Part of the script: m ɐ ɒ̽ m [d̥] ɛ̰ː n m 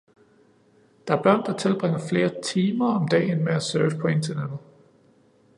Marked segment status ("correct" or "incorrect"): correct